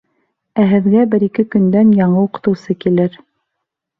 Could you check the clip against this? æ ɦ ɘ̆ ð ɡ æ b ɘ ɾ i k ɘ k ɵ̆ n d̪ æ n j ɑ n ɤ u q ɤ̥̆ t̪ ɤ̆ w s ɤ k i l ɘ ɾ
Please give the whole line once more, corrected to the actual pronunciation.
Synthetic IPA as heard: æ ɦ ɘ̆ ð ɡ æ b ɘ ɾ i k ɘ k ɵ̆ n d̪ æ n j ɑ ɴ ɤ u q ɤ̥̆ t̪ ɤ̆ w s ɤ k i l ɘ ɾ